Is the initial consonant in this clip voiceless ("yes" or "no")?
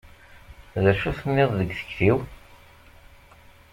no